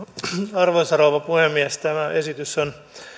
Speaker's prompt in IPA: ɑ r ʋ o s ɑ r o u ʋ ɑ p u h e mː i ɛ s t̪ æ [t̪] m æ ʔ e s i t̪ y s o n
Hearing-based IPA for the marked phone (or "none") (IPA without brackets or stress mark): none